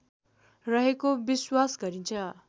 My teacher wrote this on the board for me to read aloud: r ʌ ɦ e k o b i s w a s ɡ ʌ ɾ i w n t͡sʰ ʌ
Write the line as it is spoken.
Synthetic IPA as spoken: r ʌ ɦ e k o b i s w a s ɡ ʌ ɾ i n t͡sʰ ʌ